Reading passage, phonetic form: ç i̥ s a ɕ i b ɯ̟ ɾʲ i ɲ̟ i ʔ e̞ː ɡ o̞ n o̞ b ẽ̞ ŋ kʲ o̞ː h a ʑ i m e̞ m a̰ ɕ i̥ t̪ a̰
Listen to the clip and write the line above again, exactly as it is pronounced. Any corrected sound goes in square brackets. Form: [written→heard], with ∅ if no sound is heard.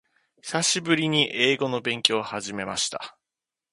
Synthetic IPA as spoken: ç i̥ s a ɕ i b ɯ̟ ɾʲ i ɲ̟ i ʔ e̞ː ɡ o̞ n o̞ b ẽ̞ ŋ kʲ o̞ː h a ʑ i m e̞ m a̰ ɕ i̥ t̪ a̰